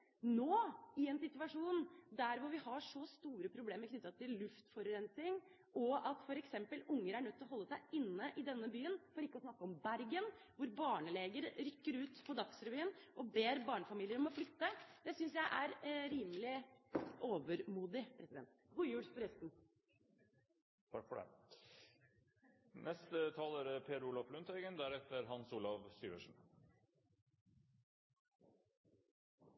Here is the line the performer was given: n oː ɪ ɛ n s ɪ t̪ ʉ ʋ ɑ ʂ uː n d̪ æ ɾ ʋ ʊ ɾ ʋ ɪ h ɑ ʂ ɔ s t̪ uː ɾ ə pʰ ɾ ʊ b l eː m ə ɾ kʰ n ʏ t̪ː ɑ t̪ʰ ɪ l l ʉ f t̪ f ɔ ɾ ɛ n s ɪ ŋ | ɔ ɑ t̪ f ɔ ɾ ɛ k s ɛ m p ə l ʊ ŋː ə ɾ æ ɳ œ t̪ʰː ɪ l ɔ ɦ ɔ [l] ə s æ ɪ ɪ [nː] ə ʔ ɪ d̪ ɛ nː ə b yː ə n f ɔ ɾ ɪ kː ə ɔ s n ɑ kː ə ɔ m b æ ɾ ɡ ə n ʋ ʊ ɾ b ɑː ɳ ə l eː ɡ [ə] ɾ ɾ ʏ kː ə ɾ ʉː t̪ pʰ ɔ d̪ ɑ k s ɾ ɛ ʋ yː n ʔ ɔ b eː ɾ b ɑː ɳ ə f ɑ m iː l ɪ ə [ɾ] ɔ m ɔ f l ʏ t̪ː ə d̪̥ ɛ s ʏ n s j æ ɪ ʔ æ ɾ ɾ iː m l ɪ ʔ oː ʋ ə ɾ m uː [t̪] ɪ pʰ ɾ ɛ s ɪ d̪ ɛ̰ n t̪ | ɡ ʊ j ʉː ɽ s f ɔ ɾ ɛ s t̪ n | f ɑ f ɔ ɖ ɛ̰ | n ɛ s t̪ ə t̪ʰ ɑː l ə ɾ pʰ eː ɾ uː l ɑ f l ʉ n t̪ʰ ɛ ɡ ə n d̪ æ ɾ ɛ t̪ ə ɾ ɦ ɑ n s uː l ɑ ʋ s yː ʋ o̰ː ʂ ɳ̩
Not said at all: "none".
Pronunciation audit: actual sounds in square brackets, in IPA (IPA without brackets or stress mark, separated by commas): lː, nː, ə, ɾ, d̪